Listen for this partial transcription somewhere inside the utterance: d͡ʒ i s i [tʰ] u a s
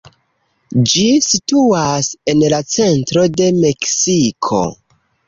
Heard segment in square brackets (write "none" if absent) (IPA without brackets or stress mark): t